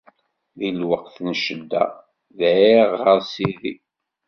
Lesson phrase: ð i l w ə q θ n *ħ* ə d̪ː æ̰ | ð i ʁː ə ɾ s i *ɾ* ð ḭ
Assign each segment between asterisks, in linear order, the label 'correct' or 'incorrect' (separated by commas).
incorrect, incorrect